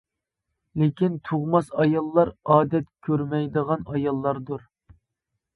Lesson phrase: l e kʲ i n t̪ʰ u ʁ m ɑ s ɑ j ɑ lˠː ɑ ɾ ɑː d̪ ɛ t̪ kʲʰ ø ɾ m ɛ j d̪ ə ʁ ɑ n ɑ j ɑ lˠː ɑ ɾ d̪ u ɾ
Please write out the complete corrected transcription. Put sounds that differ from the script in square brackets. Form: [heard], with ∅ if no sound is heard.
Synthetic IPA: l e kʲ i n t̪ʰ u ʁ m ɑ s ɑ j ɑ lˠː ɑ ɾ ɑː d̪ ɛ t̪ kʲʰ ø ɾ m ɛ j d̪ ə ʁ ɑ n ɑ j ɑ lˠː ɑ ɾ d̪ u ɾ